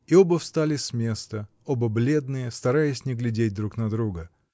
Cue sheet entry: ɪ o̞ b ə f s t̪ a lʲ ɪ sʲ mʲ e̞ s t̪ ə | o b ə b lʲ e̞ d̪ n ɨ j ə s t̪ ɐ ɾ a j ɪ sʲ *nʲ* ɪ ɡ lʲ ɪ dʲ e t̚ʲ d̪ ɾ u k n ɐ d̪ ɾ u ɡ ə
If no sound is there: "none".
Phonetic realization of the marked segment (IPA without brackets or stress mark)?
nʲ